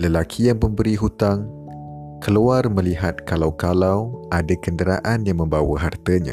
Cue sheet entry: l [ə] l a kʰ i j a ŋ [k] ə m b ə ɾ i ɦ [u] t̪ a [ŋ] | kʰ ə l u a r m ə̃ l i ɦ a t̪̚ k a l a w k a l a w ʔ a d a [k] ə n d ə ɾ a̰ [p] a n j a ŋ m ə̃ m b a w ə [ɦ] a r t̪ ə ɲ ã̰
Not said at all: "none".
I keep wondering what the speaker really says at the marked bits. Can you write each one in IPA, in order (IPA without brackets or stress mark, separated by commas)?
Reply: ə, p, u, ŋ, k, ʔ, ɦ